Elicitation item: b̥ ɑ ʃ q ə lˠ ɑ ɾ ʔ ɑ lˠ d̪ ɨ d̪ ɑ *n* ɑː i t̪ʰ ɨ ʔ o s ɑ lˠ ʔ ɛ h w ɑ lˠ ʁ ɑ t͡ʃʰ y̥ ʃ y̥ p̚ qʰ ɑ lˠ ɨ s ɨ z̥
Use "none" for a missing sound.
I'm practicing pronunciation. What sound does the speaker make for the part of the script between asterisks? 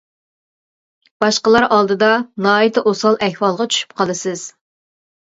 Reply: n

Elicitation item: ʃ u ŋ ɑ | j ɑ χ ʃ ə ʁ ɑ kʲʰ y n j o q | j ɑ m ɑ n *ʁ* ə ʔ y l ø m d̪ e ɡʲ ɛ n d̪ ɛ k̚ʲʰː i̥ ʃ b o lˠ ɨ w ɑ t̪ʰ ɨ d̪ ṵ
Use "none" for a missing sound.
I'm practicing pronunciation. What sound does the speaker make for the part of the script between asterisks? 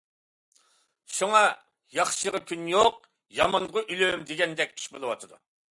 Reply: ʁ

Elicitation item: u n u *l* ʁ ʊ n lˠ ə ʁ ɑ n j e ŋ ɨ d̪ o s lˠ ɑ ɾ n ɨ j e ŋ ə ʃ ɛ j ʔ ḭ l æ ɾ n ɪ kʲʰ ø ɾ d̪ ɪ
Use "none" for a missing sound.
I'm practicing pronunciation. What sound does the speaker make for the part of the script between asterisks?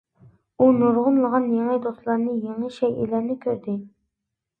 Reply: ɾ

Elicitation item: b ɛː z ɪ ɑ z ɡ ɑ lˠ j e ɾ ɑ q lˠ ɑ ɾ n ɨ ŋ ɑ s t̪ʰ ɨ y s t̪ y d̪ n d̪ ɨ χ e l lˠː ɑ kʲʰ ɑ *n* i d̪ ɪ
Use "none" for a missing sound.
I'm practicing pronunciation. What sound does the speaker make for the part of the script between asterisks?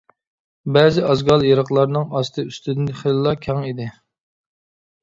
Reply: ŋ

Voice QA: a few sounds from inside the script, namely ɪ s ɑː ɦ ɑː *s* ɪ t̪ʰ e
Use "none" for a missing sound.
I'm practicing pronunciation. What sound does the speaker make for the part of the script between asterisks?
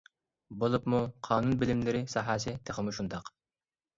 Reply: s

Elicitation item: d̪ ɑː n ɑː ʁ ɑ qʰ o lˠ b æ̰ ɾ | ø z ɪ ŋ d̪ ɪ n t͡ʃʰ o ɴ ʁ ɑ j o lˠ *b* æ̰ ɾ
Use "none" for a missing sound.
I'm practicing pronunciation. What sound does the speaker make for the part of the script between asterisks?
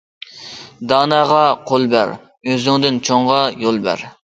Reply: b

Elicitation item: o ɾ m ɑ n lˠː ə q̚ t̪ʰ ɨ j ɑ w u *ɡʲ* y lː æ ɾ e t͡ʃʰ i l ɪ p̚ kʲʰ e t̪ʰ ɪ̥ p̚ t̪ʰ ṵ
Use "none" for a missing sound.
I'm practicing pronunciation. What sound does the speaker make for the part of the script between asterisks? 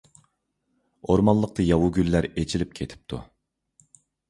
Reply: ɡʲ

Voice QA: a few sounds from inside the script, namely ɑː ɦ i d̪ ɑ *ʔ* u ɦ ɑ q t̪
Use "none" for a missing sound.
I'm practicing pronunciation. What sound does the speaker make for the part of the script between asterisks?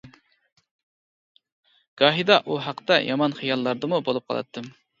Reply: ʔ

